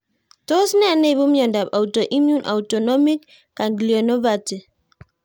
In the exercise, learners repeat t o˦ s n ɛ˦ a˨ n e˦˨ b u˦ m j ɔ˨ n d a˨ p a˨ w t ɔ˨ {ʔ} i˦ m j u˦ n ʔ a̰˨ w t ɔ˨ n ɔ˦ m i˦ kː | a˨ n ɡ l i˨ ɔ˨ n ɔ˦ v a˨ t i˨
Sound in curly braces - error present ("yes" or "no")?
no